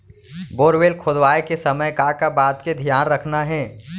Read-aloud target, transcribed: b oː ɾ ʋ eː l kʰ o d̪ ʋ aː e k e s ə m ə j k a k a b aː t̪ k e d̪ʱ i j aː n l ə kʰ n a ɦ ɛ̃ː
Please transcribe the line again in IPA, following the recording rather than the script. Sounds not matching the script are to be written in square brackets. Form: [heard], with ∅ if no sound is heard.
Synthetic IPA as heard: b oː ɾ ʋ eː l kʰ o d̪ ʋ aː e k e s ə m ə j k a k a b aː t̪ k e d̪ʱ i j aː n [ɾ] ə kʰ n a ɦ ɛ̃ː